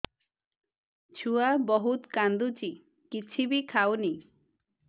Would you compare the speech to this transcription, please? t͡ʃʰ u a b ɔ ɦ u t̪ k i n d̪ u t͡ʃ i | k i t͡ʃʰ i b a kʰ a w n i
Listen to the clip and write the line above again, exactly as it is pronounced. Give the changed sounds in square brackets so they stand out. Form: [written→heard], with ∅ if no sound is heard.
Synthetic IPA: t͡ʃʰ u a b ɔ ɦ u t̪ k [i→a] n d̪ u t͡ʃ i | k i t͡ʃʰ i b [a→i] kʰ a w n i